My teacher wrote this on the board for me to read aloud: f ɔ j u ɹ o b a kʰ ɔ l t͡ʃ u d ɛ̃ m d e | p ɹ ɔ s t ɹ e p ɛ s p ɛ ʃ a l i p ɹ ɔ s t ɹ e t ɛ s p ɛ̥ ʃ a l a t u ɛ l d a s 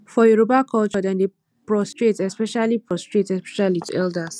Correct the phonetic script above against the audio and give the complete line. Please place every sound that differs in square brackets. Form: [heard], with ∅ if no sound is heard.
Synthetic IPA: f ɔ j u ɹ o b a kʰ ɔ l t͡ʃ [ɔ] d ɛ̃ [n] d e | p ɹ ɔ s t ɹ e [t] ɛ s p ɛ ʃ a l i p ɹ ɔ s t ɹ e t ɛ s p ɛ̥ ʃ a l [i] t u ɛ l d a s